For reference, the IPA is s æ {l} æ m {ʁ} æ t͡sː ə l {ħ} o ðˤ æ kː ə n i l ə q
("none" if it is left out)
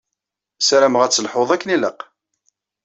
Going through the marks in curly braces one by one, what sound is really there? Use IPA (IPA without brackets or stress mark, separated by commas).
ɾ, ʁ, ħ